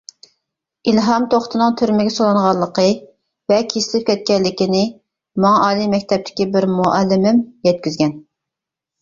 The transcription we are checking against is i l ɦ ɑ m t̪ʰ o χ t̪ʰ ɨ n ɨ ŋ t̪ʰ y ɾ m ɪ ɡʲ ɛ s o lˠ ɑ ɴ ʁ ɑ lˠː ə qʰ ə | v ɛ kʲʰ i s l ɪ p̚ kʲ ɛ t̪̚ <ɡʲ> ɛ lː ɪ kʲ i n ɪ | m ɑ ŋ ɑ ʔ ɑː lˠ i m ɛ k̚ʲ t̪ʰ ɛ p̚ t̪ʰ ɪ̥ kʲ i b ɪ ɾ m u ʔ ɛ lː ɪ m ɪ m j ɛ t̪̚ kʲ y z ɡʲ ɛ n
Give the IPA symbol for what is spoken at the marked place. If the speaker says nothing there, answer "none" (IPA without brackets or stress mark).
kʲ